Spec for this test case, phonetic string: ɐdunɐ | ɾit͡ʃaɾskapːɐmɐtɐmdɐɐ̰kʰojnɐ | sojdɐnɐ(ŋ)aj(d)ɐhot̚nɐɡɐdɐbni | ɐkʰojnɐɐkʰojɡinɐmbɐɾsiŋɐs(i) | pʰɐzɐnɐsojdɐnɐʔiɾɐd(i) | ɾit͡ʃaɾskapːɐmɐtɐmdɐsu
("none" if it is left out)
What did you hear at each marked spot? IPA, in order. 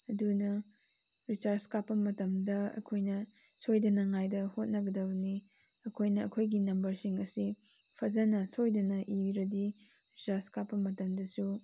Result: ŋ, d, i, i

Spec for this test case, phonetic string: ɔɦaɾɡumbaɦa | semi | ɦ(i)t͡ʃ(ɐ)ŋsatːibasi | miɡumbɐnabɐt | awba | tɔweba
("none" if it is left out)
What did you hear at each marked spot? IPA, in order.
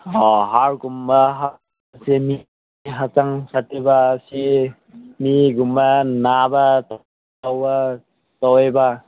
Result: a, a

